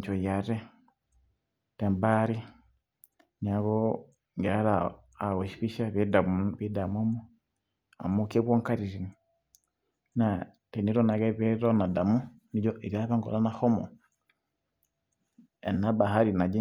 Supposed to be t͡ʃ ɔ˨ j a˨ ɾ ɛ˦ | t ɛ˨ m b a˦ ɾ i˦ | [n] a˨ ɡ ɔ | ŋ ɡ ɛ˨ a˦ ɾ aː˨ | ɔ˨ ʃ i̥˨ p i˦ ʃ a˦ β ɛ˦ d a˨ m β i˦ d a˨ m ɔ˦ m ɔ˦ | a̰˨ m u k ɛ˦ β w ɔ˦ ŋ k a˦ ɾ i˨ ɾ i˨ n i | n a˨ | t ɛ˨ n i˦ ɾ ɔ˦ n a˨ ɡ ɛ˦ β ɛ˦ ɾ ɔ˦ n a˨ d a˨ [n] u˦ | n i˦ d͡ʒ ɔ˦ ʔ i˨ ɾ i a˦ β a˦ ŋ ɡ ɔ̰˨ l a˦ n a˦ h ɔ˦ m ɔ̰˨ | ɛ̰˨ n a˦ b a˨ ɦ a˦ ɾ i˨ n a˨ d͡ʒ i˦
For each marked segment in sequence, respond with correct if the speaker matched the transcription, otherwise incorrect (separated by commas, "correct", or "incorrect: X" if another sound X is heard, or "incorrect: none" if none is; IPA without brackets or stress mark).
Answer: incorrect: ɲ, incorrect: m